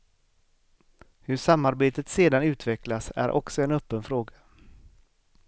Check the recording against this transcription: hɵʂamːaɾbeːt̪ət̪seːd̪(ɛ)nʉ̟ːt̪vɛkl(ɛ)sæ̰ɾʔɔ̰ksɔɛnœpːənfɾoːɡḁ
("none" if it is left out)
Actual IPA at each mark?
a, a

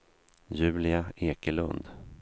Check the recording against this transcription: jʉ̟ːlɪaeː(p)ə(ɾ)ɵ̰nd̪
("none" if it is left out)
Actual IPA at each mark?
k, l

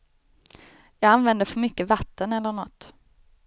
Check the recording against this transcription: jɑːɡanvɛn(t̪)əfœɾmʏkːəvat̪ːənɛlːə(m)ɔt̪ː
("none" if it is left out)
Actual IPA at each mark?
d̪, ɳ

